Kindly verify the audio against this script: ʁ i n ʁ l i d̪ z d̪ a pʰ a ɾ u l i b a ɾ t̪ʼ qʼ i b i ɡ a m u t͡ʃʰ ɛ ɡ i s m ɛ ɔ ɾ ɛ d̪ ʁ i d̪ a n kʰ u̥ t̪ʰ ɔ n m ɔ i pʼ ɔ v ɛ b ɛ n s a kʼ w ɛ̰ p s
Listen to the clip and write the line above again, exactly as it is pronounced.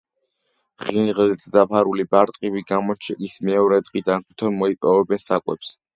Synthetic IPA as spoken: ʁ i n ʁ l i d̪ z d̪ a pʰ a ɾ u l i b a ɾ t̪ʼ qʼ i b i ɡ a m ɔ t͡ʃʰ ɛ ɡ i s m ɛ ɔ ɾ ɛ d̪ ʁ i d̪ a n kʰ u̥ t̪ʰ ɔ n m ɔ i pʼ ɔ v ɛ b ɛ n s a kʼ w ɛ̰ p s

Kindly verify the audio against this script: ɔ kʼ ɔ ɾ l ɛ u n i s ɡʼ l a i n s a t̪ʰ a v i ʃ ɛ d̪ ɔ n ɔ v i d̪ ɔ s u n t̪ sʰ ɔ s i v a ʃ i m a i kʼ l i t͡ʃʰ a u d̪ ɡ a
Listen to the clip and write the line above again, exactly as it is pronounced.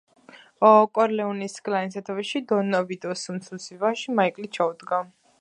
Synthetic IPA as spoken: ɔ kʼ ɔ ɾ l ɛ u n i s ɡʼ l a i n s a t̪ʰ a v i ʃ i d̪ ɔ n ɔ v i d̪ ɔ s u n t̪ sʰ u s i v a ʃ i m a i kʼ l i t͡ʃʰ a u d̪ ɡ a

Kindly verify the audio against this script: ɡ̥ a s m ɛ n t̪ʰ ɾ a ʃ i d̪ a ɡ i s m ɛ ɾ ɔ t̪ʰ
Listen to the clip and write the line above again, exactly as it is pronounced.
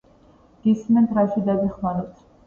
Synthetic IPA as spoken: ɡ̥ i s m ɛ n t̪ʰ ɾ a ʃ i d̪ a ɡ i χ m a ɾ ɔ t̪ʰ

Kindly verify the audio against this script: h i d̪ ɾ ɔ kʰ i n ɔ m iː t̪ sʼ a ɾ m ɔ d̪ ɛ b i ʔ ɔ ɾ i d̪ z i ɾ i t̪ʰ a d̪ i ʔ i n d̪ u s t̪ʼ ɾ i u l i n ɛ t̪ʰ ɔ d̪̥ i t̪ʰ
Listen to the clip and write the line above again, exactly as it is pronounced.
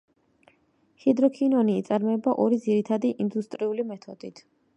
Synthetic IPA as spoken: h i d̪ ɾ ɔ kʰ i n ɔ n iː t̪ sʼ a ɾ m ɔ ɛ b a ʔ ɔ ɾ i d̪ z i ɾ i t̪ʰ a d̪ i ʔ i n d̪ u s t̪ʼ ɾ i u l i m ɛ t̪ʰ ɔ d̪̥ i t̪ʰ

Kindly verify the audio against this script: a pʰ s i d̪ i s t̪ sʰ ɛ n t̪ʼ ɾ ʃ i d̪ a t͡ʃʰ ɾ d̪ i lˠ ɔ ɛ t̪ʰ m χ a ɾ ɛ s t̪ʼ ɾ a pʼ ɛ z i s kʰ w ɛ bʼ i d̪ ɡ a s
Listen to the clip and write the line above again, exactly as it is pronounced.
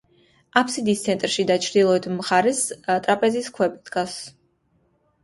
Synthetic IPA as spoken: a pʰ s i d̪ i s t̪ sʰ ɛ n t̪ʼ ɾ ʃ i d̪ a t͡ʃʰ ɾ d̪ i lˠ ɔ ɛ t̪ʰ m χ a ɾ ɛ s t̪ʼ ɾ a pʼ ɛ z i s kʰ w ɛ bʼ i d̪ ɡ a s

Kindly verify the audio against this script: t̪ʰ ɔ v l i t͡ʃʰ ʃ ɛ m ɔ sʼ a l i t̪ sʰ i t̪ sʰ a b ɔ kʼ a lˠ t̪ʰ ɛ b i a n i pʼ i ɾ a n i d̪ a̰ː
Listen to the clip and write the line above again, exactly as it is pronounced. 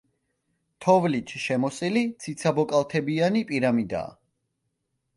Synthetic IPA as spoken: t̪ʰ ɔ v l i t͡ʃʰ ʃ ɛ m ɔ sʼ i l i t̪ sʰ i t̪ sʰ a b ɔ kʼ a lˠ t̪ʰ ɛ b i a n i pʼ i ɾ a m i d̪ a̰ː

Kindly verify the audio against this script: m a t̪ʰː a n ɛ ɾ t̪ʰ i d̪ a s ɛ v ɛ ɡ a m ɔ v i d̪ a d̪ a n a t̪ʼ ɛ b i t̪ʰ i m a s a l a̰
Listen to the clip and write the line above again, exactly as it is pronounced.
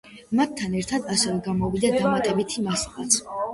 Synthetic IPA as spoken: m a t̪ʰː a n ɛ ɾ t̪ʰ a d̪ a s ɛ v ɛ ɡ a m ɔ v i d̪ a d̪ a m a t̪ʼ ɛ b i t̪ʰ i m a s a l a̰

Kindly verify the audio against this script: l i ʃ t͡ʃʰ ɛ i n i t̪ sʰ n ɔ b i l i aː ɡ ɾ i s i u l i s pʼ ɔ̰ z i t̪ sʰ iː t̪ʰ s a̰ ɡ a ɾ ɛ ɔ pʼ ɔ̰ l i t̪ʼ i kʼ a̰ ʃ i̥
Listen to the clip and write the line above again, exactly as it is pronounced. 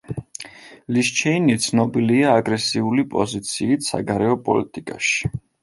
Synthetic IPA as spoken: l i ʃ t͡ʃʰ ɛ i n i t̪ sʰ n ɔ b i l i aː ɡ ɾ ɛ s i u l i pʼ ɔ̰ z i t̪ sʰ iː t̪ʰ s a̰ ɡ a ɾ ɛ ɔ pʼ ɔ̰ l i t̪ʼ i kʼ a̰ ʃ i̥

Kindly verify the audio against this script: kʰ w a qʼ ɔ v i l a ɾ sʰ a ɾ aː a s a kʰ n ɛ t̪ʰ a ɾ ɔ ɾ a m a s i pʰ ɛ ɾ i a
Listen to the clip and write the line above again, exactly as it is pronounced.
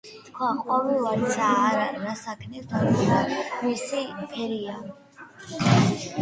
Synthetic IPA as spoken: kʰ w a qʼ ɔ v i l a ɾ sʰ a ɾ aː a s a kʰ n ɛ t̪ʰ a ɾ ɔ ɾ a m i s i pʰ ɛ ɾ i a

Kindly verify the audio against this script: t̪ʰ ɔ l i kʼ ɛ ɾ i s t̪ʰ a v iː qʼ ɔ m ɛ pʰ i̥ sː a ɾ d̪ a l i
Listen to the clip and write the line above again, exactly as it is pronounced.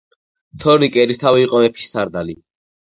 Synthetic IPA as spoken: t̪ʰ ɔ ɾ i kʼ ɛ ɾ i s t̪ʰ a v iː qʼ ɔ m ɛ pʰ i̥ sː a ɾ d̪ a l i

